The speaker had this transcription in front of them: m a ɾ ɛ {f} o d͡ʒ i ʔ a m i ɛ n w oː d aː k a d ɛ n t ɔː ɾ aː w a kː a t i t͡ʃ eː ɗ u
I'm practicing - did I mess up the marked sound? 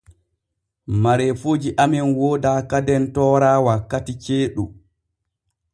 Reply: no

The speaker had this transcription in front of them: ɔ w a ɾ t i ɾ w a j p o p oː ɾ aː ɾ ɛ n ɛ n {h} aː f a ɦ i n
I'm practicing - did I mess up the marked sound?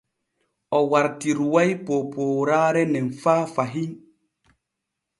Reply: yes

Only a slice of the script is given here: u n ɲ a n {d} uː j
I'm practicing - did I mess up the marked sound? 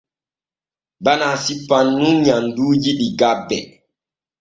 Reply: no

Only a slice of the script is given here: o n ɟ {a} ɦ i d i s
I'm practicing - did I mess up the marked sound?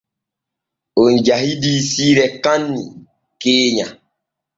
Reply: no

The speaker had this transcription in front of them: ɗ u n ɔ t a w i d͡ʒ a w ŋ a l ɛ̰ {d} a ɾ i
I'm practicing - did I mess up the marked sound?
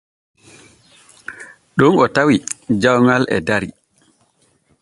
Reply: no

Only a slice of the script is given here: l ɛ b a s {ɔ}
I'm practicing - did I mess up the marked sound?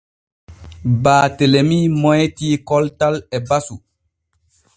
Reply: yes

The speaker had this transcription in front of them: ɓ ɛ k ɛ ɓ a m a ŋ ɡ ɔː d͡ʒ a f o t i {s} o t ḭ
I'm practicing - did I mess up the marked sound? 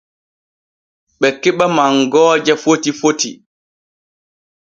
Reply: yes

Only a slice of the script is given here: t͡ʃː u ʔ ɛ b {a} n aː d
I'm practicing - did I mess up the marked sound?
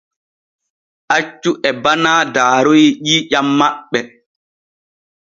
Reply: no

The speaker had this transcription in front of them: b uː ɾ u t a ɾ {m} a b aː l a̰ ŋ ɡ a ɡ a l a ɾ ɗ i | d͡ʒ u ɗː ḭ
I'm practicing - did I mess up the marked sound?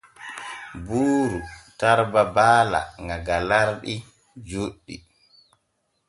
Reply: yes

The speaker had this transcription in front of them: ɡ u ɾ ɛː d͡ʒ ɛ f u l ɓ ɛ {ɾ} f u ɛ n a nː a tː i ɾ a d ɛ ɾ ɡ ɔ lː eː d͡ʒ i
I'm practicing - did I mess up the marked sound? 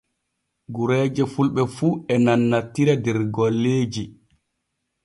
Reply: yes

